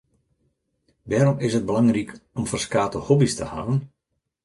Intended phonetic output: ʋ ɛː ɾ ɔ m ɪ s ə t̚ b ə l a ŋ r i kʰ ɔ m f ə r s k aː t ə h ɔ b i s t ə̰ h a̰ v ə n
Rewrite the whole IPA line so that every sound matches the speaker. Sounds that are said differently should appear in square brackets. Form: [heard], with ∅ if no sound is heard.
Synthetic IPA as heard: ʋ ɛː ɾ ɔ m ɪ s ə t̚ b ə l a ŋ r i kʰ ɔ m f ə r s k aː t ə h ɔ b i s t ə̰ h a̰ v ə n